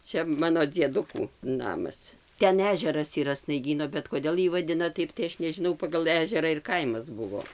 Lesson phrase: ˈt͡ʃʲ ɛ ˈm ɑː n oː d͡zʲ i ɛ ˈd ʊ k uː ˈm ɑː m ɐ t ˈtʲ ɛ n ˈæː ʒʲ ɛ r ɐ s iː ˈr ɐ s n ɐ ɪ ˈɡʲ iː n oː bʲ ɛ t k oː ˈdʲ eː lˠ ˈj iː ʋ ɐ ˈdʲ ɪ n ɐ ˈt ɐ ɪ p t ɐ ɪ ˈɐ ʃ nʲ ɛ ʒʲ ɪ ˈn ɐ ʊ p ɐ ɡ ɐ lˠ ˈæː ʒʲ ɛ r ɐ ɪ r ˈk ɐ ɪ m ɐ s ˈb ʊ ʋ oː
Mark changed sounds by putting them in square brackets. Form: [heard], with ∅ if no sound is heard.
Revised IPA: ˈt͡ʃʲ ɛ ˈm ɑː n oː d͡zʲ i ɛ ˈd ʊ k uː [ˈn] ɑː m ɐ [s] ˈtʲ ɛ n ˈæː ʒʲ ɛ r ɐ s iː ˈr ɐ s n ɐ ɪ ˈɡʲ iː n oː bʲ ɛ t k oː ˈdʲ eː lˠ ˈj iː ʋ ɐ ˈdʲ ɪ n ɐ ˈt ɐ ɪ p t ɐ ɪ ˈɐ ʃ nʲ ɛ ʒʲ ɪ ˈn ɐ ʊ p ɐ ɡ ɐ lˠ ˈæː ʒʲ ɛ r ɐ ɪ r ˈk ɐ ɪ m ɐ s ˈb ʊ ʋ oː

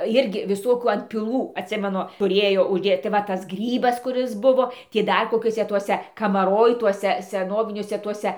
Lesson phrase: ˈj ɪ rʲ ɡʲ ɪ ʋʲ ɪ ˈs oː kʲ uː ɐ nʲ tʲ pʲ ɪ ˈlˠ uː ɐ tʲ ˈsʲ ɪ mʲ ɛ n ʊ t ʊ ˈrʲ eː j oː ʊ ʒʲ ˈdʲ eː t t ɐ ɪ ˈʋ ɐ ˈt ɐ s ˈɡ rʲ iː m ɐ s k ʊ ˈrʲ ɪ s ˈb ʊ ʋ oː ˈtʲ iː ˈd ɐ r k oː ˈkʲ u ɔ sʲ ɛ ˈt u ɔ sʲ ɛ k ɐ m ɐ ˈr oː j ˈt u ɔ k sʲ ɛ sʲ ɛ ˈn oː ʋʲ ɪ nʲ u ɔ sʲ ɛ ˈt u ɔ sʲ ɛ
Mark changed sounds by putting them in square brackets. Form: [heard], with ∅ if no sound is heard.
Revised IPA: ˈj ɪ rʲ ɡʲ ɪ ʋʲ ɪ ˈs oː kʲ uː ɐ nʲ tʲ pʲ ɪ ˈlˠ uː ɐ tʲ ˈsʲ ɪ mʲ ɛ n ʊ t ʊ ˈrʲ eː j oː ʊ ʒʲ ˈdʲ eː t t ɐ ɪ ˈʋ ɐ ˈt ɐ s ˈɡ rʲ iː [b] ɐ s k ʊ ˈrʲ ɪ s ˈb ʊ ʋ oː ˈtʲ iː ˈd ɐ r k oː ˈkʲ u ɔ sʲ ɛ ˈt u ɔ sʲ ɛ k ɐ m ɐ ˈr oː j ˈt u ɔ [∅] sʲ ɛ sʲ ɛ ˈn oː ʋʲ ɪ nʲ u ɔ sʲ ɛ ˈt u ɔ sʲ ɛ

